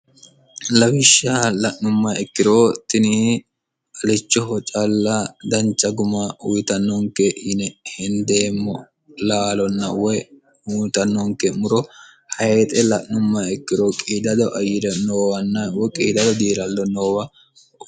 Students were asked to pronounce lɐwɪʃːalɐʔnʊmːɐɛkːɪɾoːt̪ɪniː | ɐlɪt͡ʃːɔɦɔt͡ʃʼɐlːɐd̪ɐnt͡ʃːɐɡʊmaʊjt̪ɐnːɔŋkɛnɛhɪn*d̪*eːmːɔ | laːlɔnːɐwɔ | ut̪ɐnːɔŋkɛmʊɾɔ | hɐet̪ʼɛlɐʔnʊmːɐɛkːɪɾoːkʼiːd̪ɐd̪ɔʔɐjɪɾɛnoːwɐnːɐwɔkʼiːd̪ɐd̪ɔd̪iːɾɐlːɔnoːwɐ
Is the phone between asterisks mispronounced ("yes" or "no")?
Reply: no